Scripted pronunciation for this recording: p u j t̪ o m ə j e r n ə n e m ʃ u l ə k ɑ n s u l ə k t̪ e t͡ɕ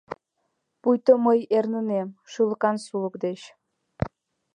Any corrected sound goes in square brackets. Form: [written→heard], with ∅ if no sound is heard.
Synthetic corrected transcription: p u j t̪ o m ə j e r n ə n e m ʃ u l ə k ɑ n s u l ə k [t̪→d̪] e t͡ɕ